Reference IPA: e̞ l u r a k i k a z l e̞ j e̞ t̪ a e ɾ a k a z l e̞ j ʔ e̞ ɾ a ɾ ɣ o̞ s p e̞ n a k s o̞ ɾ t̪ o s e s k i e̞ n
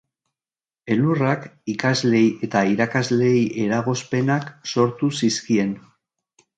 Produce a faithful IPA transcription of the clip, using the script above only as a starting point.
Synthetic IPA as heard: e̞ l u r a k i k a z l e̞ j e̞ t̪ a i ɾ a k a z l e̞ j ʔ e̞ ɾ a ɣ o̞ s p e̞ n a k s o̞ ɾ t̪ u s i s k i e̞ n